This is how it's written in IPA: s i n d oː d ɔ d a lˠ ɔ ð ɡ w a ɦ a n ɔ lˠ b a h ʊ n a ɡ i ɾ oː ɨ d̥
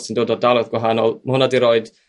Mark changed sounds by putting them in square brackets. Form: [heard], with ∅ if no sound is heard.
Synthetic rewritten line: s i n d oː d ɔ d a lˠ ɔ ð ɡ w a ɦ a n ɔ lˠ [m] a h ʊ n a [d] i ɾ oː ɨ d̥

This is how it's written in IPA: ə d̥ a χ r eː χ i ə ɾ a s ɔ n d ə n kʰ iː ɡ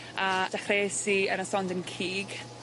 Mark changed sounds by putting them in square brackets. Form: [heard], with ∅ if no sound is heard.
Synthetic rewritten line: [a] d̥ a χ r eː [s] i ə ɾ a s ɔ n d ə n kʰ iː ɡ

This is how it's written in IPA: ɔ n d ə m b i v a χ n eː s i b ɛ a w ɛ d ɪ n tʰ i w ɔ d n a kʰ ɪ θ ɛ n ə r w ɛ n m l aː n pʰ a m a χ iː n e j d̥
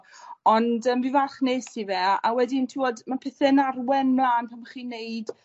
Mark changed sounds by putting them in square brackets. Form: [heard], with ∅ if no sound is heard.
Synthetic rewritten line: ɔ n d ə m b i v a χ n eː s i [v] ɛ a w ɛ d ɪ n tʰ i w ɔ d [m] a [pʰ] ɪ θ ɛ n [a] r w ɛ n m l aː n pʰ a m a χ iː n e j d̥

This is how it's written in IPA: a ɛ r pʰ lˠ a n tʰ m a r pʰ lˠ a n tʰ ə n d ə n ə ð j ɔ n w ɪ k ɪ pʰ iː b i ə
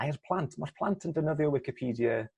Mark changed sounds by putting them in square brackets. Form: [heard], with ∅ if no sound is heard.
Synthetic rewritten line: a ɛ r pʰ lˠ a n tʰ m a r pʰ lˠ a n tʰ ə n d ə n ə ð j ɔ [∅] w ɪ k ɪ pʰ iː [d] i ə

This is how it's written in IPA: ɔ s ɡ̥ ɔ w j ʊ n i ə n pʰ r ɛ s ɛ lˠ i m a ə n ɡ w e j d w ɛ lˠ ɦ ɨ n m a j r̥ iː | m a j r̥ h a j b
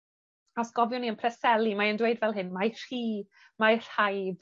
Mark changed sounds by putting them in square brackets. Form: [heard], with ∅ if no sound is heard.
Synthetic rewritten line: ɔ s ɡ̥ ɔ [v] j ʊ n i ə n pʰ r ɛ s ɛ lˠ i m a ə n [d] w e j d [v] ɛ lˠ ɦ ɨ n m a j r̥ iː | m a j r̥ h a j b

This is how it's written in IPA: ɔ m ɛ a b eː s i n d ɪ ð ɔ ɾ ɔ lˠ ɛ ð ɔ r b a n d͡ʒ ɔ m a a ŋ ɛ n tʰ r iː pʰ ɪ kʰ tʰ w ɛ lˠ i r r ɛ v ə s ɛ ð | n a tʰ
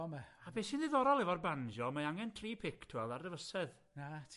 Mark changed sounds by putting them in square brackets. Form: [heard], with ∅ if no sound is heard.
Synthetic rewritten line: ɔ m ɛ a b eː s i n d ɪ ð ɔ ɾ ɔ lˠ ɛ [v] ɔ r b a n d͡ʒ ɔ m a a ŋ ɛ n tʰ r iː pʰ ɪ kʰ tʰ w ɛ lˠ [a] r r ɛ v ə s ɛ ð | n a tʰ

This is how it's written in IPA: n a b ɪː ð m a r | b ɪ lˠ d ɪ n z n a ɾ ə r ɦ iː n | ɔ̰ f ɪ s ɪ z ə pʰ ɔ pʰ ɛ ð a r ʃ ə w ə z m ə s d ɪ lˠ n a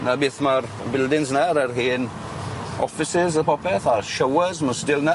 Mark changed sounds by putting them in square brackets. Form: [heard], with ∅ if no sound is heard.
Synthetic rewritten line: n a b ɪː [θ] m a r | b ɪ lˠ d ɪ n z n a ɾ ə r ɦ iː n | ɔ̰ f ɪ s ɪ z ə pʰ ɔ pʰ ɛ [θ] a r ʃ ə w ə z m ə s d ɪ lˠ n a

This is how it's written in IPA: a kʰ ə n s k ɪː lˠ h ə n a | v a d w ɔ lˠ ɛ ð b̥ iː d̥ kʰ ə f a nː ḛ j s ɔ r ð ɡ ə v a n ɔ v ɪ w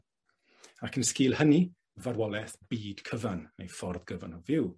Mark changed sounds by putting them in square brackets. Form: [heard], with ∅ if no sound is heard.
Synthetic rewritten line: a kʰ ə n s k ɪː lˠ h ə n [i] | v a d w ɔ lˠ ɛ [θ] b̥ iː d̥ kʰ ə [v] a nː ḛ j [f] ɔ r ð ɡ ə v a n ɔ v ɪ w

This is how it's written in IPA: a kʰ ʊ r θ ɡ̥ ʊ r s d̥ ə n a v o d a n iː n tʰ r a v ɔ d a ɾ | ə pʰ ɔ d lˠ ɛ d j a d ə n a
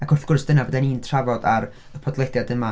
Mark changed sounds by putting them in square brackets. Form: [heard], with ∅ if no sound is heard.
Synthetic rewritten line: a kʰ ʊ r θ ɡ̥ ʊ r s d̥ ə n a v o d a n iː n tʰ r a v ɔ d a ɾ | ə pʰ ɔ d lˠ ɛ d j a d ə [m] a

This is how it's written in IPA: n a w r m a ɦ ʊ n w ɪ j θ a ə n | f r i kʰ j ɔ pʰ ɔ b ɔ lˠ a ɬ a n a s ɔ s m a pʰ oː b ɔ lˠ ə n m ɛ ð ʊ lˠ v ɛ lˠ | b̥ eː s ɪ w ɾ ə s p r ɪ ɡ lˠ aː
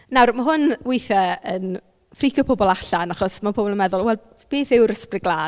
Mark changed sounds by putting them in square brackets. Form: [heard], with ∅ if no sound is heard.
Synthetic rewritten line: n a w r m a ɦ ʊ n w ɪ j θ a ə n | f r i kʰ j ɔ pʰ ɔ b ɔ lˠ a ɬ a n a [χ] ɔ s m a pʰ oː b ɔ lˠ ə n m ɛ ð ʊ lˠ [w] ɛ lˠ | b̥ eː [θ] ɪ w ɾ ə s p r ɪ ɡ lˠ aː

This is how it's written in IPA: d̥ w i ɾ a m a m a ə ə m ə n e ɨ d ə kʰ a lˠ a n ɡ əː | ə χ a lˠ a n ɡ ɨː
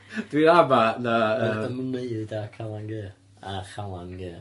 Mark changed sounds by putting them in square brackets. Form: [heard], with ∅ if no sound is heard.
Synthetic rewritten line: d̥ w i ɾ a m a [n] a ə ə m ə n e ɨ d [a] kʰ a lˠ a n ɡ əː | [a] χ a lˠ a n ɡ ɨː

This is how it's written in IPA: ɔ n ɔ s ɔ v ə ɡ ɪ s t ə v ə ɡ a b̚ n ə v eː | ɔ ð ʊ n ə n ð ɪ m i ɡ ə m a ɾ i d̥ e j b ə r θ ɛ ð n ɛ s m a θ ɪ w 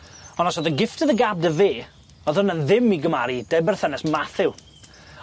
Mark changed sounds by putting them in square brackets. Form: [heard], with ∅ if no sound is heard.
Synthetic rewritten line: ɔ n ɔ s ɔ [ð] ə ɡ ɪ [f] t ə [ð] ə ɡ a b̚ [d] ə v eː | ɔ ð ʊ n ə n ð ɪ m i ɡ ə m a ɾ i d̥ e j b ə r θ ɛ [∅] n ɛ s m a θ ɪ w

